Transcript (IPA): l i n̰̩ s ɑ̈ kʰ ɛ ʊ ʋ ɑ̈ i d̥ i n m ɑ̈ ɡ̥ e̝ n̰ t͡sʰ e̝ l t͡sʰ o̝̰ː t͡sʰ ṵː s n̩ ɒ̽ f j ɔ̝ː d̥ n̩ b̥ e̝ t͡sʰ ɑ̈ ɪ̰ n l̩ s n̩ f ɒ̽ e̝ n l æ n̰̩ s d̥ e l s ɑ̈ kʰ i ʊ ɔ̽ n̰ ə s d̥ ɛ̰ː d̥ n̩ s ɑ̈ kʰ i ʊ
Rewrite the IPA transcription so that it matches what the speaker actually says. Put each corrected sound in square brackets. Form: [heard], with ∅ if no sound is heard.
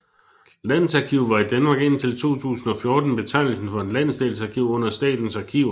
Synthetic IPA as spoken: l [æ] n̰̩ s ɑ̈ kʰ [i] ʊ ʋ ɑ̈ i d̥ [æ] n m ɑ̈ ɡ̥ e̝ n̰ t͡sʰ e̝ l t͡sʰ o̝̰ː t͡sʰ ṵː s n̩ ɒ̽ f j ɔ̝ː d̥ n̩ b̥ e̝ t͡sʰ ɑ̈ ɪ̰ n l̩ s n̩ f ɒ̽ e̝ n l æ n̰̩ s d̥ e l s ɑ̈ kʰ i ʊ ɔ̽ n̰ [ɐ] s d̥ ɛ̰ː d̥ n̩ s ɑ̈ kʰ i ʊ